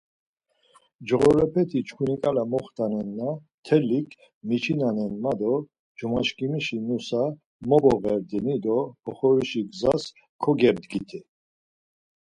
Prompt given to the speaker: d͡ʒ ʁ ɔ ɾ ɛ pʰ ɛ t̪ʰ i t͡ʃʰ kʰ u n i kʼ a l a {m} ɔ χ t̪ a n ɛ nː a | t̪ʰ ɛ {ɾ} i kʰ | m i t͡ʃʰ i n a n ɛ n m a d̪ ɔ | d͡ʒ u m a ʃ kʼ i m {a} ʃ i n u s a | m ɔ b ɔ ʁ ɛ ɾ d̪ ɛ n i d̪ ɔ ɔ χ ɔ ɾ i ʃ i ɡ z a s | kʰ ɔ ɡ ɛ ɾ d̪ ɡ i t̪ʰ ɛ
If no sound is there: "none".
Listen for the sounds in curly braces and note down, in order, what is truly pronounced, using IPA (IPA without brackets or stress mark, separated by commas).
m, l, i